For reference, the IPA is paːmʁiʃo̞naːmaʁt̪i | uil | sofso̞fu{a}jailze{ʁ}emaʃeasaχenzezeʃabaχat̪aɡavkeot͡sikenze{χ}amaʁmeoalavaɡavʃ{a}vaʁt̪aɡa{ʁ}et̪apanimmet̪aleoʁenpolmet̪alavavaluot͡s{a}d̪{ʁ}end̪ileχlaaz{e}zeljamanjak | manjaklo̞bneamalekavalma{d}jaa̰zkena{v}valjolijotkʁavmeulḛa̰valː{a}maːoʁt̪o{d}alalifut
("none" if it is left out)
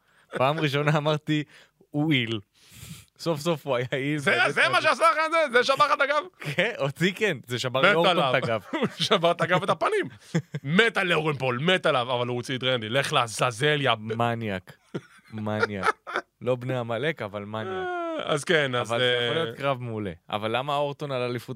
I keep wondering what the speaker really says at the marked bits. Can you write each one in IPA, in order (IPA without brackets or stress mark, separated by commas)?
a, z, ʃ, a, v, i, ʁ, a, n, z, a, n